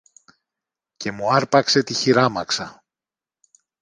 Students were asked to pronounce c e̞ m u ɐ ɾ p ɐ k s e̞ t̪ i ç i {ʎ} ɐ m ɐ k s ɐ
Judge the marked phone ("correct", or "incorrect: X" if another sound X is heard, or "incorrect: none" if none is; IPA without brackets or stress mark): incorrect: ɾ